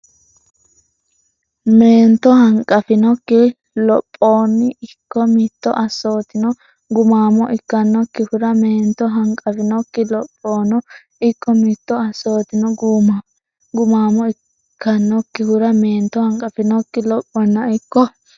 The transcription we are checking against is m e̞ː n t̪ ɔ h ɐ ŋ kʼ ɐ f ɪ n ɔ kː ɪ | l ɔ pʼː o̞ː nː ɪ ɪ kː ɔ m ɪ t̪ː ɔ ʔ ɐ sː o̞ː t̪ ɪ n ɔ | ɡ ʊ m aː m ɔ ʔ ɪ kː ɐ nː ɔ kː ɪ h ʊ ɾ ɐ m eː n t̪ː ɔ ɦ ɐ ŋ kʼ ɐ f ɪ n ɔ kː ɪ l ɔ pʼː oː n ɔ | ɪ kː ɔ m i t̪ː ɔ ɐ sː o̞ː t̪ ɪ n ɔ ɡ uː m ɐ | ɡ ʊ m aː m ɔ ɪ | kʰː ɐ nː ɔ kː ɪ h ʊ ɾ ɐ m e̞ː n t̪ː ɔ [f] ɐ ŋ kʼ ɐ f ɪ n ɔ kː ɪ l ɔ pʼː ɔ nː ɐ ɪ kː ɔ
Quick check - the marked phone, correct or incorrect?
incorrect